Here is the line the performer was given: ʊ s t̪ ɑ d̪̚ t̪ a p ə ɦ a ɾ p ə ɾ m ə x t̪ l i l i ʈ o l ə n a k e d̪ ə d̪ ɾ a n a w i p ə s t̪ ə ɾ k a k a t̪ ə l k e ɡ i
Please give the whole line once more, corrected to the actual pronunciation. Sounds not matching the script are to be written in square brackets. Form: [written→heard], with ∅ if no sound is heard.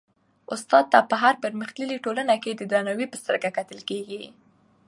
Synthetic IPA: ʊ s t̪ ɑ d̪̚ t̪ a p ə ɦ a ɾ p ə ɾ m ə x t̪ l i l i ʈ o l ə n a k e d̪ ə d̪ ɾ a n a w i p ə s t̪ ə ɾ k a k a t̪ ə l k e ɡ i